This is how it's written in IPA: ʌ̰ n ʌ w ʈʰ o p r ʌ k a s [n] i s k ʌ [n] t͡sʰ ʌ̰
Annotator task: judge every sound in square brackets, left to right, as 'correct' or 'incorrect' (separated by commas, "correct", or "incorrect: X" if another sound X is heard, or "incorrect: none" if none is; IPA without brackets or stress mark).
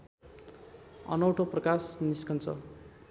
correct, correct